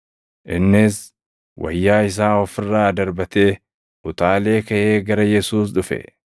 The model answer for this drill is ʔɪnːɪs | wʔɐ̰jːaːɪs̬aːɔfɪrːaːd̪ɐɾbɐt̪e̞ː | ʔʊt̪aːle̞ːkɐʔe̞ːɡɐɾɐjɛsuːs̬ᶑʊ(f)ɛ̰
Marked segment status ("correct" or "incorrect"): correct